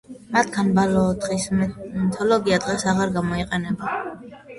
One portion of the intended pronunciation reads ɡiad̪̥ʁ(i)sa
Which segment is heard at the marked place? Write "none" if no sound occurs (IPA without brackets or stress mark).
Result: ɛ